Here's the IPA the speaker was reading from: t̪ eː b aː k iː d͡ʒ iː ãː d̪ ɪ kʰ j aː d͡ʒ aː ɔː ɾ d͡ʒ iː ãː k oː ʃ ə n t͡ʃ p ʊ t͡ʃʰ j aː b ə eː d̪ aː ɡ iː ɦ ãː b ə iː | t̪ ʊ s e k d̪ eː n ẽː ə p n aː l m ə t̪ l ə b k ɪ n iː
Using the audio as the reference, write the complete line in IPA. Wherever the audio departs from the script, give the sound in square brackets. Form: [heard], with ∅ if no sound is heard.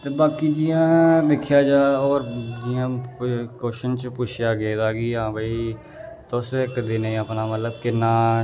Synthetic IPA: t̪ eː b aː k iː d͡ʒ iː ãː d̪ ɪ kʰ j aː d͡ʒ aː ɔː ɾ d͡ʒ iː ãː k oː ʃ ə n t͡ʃ p ʊ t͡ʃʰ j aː [ɡ] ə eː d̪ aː ɡ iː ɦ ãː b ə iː | t̪ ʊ s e k d̪ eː n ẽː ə p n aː [∅] m ə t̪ l ə b k ɪ n [aː]

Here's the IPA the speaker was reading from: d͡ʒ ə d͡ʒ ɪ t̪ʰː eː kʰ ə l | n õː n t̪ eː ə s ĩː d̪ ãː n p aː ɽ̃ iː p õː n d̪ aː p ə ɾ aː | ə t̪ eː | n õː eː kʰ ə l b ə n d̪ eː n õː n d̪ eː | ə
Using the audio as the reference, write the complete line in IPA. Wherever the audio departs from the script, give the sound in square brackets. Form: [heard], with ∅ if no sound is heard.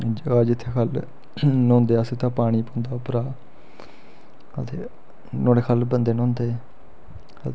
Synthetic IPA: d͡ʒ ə d͡ʒ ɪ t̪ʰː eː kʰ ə l | n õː n [d̪] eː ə s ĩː [t̪] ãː [∅] p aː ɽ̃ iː p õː n d̪ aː p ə ɾ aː | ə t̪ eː | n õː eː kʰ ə l b ə n d̪ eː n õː n d̪ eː | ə

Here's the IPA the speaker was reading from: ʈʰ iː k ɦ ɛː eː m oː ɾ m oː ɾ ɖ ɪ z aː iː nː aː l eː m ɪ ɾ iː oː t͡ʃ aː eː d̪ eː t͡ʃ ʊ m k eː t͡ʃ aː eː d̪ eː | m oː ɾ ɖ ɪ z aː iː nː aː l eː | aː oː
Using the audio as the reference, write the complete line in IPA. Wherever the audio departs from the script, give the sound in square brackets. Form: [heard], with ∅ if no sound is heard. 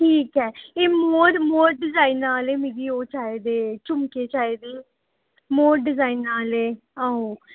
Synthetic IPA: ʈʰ iː k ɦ ɛː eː m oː ɾ m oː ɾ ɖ ɪ z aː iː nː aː l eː m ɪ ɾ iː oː t͡ʃ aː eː d̪ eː t͡ʃ ʊ m k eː t͡ʃ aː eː d̪ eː | m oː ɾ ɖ ɪ z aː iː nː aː l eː | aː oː

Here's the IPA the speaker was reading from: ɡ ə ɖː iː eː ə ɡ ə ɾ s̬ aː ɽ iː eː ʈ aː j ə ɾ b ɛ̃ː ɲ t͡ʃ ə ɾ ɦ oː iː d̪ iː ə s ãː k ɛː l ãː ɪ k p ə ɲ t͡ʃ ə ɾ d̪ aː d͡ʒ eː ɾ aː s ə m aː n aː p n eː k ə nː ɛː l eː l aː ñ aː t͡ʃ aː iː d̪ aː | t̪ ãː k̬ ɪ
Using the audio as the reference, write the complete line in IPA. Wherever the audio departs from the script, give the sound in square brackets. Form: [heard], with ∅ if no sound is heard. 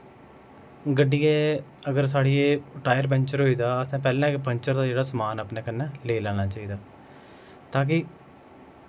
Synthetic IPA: ɡ ə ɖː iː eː ə ɡ ə ɾ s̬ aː ɽ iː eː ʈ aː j ə ɾ b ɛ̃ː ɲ t͡ʃ ə ɾ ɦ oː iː d̪ [aː] ə s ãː [p] ɛː l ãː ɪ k p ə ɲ t͡ʃ ə ɾ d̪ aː d͡ʒ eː [ɽ] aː s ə m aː n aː p n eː k ə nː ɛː l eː l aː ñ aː t͡ʃ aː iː d̪ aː | t̪ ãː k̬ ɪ

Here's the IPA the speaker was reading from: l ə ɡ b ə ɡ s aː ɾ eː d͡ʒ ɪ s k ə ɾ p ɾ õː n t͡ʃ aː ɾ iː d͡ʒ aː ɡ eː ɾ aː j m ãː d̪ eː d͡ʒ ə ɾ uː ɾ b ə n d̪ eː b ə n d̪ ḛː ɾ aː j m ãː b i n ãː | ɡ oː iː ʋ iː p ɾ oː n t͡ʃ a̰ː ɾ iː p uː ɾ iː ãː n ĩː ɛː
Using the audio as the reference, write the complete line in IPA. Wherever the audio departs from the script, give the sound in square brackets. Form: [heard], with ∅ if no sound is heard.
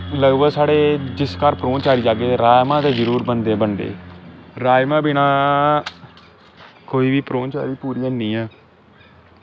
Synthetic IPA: l ə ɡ b ə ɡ s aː [ɽ] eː d͡ʒ ɪ s k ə ɾ p ɾ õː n t͡ʃ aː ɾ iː d͡ʒ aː ɡ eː ɾ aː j m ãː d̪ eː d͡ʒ ə ɾ uː ɾ b ə n d̪ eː b ə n d̪ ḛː ɾ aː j m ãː b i n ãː | [k] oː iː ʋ iː p ɾ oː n t͡ʃ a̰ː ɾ iː p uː ɾ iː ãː n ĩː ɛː

